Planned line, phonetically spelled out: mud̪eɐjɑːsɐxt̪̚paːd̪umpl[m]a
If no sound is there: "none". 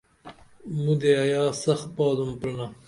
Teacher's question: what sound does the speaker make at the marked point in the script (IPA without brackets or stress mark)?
n